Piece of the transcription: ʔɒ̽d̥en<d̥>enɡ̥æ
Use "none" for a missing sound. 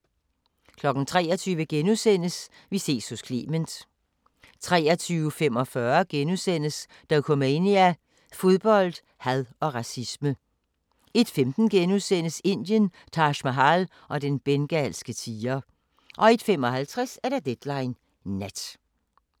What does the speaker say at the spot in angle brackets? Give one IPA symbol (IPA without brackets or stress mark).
b̥